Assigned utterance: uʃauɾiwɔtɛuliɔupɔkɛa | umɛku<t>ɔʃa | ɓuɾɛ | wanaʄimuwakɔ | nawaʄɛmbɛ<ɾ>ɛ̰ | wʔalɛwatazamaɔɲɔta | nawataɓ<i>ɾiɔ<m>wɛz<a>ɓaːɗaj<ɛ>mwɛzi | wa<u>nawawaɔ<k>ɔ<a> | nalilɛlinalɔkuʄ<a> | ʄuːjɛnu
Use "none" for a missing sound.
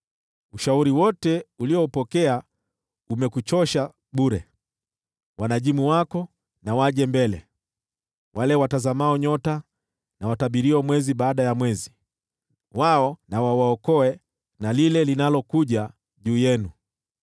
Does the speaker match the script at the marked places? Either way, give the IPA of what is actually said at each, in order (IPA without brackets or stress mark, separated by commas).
t͡ʃ, l, i, m, i, a, ɔ, k, ɛ, a